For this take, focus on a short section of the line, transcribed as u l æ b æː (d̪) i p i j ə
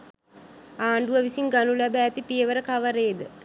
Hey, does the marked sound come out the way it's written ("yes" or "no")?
no